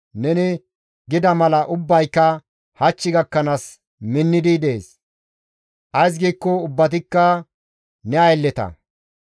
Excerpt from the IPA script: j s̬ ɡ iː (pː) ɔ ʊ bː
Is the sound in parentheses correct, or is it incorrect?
incorrect